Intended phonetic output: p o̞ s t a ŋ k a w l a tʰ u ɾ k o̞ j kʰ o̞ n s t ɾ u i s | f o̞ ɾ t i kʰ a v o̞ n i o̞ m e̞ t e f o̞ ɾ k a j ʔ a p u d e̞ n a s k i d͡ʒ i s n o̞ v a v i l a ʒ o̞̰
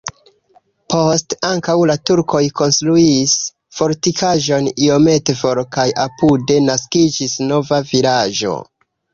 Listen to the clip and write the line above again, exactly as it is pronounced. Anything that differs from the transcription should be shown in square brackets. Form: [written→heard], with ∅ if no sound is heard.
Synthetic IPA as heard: p o̞ s t a ŋ k a w l a [tʰ→t] u ɾ k o̞ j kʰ o̞ n s t ɾ u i s | f o̞ ɾ t i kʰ a [v→ʒ] o̞ n i o̞ m e̞ t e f o̞ ɾ k a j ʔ a p u d e̞ n a s k i d͡ʒ i s n o̞ v a v i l a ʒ o̞̰